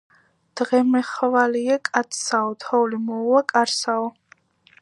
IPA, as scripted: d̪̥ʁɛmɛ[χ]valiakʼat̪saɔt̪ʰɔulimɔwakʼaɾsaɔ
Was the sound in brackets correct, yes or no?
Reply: yes